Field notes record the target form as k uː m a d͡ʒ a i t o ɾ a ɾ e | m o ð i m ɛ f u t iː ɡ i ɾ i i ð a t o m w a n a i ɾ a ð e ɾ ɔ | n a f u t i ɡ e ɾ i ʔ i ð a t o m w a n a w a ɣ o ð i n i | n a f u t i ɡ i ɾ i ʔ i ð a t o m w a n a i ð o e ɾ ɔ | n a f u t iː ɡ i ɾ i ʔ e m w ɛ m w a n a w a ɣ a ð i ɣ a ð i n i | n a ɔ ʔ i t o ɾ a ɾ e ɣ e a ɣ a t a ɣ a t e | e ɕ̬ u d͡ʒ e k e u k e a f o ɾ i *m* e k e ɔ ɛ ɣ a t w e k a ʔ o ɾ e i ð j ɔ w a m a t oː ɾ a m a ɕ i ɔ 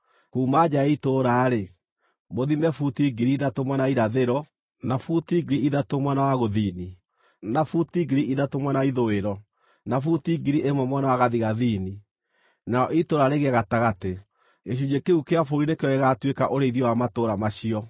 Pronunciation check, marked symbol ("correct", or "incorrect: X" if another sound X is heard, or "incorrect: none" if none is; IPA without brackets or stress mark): incorrect: n